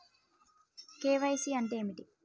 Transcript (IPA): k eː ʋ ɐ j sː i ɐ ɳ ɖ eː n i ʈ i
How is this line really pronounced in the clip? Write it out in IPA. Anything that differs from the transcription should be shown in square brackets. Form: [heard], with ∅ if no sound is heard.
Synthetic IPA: k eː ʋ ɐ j [s] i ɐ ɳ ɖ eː [m] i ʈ i